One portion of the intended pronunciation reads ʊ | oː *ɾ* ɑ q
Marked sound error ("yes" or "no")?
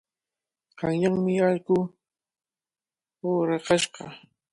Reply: no